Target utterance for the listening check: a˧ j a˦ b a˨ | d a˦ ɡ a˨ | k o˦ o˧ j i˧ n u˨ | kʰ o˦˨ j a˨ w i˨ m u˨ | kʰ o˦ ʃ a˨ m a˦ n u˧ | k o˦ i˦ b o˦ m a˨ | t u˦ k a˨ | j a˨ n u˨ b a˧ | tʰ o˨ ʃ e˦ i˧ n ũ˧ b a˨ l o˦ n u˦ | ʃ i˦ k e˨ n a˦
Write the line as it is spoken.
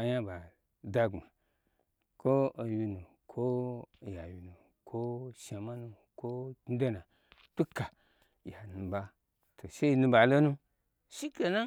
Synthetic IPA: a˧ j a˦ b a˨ | d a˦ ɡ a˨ | k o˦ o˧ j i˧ n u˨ | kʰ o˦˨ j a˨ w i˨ n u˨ | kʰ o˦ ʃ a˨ m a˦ n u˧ | k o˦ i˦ d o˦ n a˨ | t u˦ k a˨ | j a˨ n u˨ b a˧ | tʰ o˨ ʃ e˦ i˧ n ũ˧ b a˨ l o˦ n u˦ | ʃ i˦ k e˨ n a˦